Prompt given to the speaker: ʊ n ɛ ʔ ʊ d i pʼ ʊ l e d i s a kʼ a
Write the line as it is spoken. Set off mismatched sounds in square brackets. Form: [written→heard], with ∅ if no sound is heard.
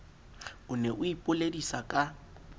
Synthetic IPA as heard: ʊ n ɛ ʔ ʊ [d→∅] i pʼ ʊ l e d i s a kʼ a